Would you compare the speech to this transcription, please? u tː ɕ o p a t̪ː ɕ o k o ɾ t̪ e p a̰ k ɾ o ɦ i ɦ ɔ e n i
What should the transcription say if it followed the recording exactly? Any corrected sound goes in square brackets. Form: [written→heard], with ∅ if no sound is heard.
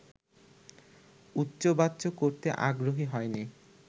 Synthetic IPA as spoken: u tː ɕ o [p→b] a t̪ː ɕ o k o ɾ t̪ e [p→ʔ] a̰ [k→ɡ] ɾ o ɦ i ɦ ɔ e n i

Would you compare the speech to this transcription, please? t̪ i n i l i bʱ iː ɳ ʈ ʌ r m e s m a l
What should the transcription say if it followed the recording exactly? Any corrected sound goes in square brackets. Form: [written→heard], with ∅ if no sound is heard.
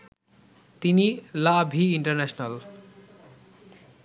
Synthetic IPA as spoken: t̪ i n i l [i→a] bʱ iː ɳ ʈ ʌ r [m→n] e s [m→n] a l

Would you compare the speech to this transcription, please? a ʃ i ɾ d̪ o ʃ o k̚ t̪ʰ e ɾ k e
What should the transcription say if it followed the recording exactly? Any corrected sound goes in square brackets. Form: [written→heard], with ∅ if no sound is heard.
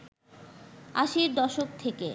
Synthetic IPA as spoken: a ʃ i ɾ d̪ [o→ɔ] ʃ o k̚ t̪ʰ e [ɾ→∅] k e

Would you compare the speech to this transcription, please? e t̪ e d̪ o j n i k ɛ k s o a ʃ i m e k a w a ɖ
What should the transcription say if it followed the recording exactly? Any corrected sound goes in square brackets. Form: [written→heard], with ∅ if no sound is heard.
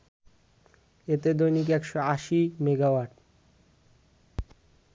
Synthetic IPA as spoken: e t̪ e d̪ o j n i k ɛ k [s→ʃ] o a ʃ i m e [k→ɡ] a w a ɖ

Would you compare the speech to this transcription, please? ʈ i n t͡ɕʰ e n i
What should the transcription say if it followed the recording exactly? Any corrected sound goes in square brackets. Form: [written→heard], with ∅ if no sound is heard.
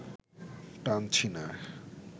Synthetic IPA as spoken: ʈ [i→a] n t͡ɕʰ [e→i] n [i→a]

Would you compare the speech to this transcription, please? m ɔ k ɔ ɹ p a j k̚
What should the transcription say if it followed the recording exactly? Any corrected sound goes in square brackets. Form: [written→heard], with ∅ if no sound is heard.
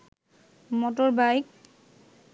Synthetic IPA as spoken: m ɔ [k→t] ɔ ɹ [p→b] a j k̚

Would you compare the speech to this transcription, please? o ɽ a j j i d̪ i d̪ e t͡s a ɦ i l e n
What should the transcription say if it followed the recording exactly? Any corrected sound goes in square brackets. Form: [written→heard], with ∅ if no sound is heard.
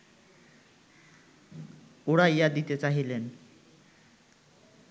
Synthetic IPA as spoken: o ɽ a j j [i→a] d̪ i [d̪→t̪] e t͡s a ɦ i l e n

